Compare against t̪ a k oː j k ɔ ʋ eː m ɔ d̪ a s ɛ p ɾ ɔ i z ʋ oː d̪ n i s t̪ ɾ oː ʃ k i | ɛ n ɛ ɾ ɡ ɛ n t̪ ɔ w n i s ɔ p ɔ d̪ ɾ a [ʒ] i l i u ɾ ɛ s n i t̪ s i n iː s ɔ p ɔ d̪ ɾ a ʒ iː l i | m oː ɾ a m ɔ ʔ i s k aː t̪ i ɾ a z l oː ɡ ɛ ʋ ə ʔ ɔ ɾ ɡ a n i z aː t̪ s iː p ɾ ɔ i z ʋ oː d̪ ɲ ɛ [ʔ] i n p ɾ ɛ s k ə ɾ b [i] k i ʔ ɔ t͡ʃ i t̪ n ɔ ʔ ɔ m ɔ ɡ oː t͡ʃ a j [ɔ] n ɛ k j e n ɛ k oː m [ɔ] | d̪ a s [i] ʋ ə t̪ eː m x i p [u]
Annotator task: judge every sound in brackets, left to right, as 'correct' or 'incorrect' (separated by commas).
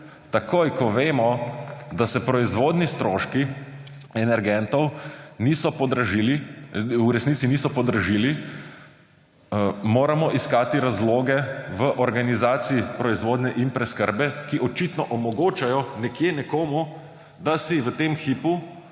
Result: correct, correct, incorrect, correct, incorrect, correct, correct